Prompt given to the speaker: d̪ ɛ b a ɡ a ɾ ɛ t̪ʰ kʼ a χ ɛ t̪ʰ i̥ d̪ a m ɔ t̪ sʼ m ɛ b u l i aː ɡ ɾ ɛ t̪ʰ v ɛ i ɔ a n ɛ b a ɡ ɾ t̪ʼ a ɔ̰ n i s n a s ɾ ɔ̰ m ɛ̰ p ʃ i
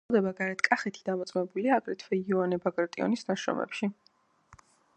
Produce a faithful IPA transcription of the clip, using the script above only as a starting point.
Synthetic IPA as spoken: d̪ ɛ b a ɡ a ɾ ɛ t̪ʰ kʼ a χ ɛ t̪ʰ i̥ d̪ a m ɔ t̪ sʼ m ɛ b u l i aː ɡ ɾ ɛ t̪ʰ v ɛ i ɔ a n ɛ b a ɡ ɾ t̪ʼ i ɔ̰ n i s n a ʃ ɾ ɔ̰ m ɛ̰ p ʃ i